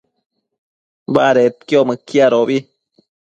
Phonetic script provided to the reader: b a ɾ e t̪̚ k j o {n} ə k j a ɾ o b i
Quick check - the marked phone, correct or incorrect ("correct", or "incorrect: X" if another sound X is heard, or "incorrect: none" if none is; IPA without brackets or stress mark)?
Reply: incorrect: m